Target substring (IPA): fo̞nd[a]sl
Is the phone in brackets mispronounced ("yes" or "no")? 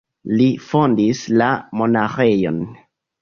yes